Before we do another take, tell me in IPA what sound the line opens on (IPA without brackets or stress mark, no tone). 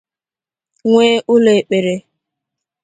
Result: ŋʷ